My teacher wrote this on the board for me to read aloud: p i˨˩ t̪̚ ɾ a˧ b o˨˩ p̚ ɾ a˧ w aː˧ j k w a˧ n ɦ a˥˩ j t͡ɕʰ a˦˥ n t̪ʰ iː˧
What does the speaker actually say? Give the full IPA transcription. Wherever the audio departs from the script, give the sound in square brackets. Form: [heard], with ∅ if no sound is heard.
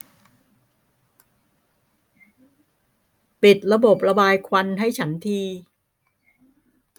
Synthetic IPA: p i˨˩ t̪̚ ɾ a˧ b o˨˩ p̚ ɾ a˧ [b] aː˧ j [kʰ] w a˧ n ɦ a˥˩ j t͡ɕʰ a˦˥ n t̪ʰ iː˧

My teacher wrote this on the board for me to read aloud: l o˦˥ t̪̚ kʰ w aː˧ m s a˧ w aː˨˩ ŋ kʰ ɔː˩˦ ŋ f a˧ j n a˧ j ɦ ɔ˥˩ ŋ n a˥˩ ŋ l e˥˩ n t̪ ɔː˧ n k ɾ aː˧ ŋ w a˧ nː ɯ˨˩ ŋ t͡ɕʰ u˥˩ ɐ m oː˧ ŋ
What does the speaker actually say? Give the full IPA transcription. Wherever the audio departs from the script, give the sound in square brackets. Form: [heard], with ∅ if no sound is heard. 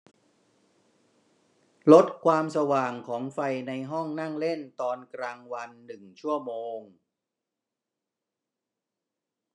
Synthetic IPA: l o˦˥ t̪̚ kʰ w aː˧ m s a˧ w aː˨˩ ŋ kʰ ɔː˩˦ ŋ f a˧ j n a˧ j ɦ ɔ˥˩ ŋ n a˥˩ ŋ l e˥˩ n t̪ ɔː˧ n k ɾ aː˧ ŋ w a˧ nː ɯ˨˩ ŋ t͡ɕʰ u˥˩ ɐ m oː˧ ŋ

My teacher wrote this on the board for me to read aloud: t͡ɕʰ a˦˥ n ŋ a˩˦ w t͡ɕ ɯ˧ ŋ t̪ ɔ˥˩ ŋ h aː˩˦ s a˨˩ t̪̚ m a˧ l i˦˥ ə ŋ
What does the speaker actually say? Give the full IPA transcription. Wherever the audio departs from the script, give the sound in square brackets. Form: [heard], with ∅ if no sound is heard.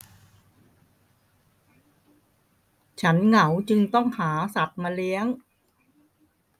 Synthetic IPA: t͡ɕʰ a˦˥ n ŋ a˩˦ w t͡ɕ ɯ˧ ŋ t̪ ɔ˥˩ ŋ h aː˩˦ s a˨˩ t̪̚ m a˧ l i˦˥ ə ŋ

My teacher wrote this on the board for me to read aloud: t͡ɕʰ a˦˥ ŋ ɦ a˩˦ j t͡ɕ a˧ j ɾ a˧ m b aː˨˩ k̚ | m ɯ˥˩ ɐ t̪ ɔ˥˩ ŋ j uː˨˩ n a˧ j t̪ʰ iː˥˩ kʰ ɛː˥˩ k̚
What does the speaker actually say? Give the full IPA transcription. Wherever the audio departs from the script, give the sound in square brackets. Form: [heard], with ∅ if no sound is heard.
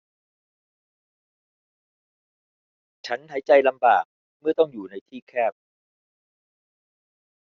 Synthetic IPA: t͡ɕʰ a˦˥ [n] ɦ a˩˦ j t͡ɕ a˧ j [l] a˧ m b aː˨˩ k̚ | m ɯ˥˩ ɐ t̪ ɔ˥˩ ŋ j uː˨˩ n a˧ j t̪ʰ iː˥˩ kʰ ɛː˥˩ [p̚]

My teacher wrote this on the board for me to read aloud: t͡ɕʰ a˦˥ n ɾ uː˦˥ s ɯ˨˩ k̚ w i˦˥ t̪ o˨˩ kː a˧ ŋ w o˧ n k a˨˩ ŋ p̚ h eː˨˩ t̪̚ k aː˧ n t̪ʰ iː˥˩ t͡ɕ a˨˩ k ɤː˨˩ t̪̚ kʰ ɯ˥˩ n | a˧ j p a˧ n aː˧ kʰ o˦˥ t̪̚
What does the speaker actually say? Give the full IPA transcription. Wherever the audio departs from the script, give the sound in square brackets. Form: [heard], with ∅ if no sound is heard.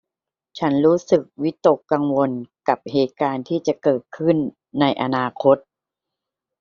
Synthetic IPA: t͡ɕʰ a˦˥ n ɾ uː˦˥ s ɯ˨˩ k̚ w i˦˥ t̪ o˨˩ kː a˧ ŋ w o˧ n k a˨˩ [∅] p̚ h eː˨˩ t̪̚ k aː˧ n t̪ʰ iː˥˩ t͡ɕ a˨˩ k ɤː˨˩ t̪̚ kʰ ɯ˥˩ [nː] | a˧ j [ʔ] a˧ n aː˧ kʰ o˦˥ t̪̚

